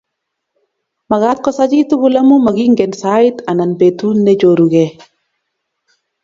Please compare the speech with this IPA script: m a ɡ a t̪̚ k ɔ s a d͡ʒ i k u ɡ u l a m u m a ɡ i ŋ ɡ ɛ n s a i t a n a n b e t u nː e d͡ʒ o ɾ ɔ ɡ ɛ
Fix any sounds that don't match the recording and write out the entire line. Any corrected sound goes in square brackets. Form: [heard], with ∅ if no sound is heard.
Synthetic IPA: m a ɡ a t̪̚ k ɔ s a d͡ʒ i [t] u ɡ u l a m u m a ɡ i ŋ ɡ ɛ n s a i t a n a n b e t u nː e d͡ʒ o ɾ [u] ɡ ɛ